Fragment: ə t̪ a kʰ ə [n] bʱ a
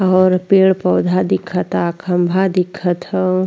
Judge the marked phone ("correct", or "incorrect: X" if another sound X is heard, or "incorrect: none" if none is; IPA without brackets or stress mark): incorrect: m